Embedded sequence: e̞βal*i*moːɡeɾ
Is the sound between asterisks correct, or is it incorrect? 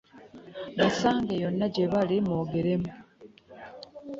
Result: correct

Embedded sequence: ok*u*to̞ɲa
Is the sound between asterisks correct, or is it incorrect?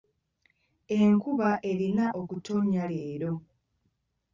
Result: correct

